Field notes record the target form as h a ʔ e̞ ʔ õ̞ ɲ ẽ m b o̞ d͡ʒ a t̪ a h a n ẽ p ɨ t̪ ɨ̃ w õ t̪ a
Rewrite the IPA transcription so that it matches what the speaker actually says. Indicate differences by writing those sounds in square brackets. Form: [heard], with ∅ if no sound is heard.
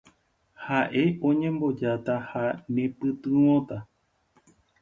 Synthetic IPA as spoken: h a ʔ e̞ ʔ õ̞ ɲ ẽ m b o̞ d͡ʒ a t̪ a h a n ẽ p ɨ t̪ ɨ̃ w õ t̪ a